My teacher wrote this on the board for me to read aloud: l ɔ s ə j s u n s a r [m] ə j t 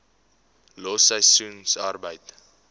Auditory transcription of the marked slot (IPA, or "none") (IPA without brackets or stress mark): b